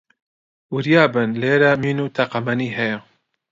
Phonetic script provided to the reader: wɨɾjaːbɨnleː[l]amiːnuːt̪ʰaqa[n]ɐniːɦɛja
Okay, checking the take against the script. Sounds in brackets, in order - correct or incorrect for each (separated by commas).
incorrect, incorrect